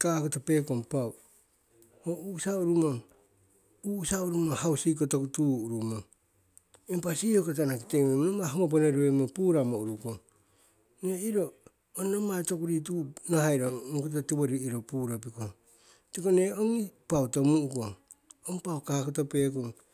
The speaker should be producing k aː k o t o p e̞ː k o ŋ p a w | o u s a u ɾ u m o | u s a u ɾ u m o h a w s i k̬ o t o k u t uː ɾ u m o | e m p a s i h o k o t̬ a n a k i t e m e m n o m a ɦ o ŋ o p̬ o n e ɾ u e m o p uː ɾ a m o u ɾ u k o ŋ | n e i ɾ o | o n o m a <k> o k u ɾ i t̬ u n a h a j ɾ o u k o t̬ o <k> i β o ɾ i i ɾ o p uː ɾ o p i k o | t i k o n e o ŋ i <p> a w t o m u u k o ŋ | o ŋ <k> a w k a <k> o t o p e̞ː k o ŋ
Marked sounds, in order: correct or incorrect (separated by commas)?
incorrect, incorrect, correct, incorrect, correct